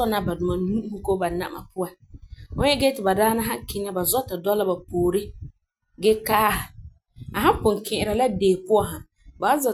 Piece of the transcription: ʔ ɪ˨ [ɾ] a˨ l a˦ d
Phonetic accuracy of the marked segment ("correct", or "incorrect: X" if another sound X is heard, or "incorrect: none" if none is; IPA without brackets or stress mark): correct